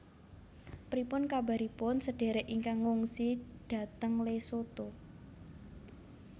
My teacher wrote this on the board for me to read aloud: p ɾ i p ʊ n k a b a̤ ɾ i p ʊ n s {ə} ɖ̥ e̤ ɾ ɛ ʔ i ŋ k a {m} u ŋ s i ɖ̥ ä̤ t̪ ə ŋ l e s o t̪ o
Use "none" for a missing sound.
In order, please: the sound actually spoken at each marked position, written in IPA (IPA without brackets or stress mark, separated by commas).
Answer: ə, ŋ